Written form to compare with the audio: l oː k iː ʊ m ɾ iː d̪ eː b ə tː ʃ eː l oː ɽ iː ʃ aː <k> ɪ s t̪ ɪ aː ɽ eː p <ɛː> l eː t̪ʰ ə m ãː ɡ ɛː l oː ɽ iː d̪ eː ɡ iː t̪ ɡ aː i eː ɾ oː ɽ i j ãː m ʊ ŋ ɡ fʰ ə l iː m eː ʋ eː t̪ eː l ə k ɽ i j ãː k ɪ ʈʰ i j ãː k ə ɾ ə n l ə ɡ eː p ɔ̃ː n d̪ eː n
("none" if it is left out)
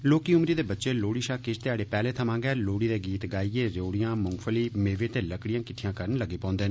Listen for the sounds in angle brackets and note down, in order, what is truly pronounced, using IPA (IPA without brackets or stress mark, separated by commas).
k, ɛː